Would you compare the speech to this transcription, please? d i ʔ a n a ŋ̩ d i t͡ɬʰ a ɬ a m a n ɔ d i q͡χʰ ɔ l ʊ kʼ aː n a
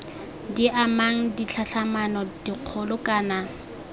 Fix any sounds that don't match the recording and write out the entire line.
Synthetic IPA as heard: d i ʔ a m a ŋ̩ d i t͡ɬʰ a ɬ a m a n ɔ d i q͡χʰ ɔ l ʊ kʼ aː n a